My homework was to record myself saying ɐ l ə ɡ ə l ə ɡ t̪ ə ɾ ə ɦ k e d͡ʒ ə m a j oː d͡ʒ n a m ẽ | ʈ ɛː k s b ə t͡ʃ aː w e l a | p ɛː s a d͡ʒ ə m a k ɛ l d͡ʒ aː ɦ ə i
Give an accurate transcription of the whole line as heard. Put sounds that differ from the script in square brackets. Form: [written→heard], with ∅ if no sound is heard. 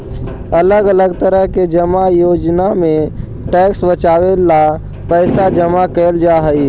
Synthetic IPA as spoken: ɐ l ə ɡ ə l ə ɡ t̪ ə ɾ ə ɦ k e d͡ʒ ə m a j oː d͡ʒ n a m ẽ | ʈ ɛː k s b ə t͡ʃ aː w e l a | p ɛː s a d͡ʒ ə m a k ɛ l d͡ʒ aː ɦ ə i